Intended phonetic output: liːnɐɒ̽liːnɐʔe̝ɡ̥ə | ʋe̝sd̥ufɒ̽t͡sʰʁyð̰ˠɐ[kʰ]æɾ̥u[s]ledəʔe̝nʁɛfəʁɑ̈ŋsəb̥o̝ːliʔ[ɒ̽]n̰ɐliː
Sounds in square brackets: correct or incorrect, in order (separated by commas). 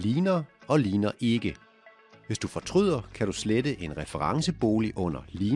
correct, correct, incorrect